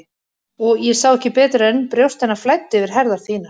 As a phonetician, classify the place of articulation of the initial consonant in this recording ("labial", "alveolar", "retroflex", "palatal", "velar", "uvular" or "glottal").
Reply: velar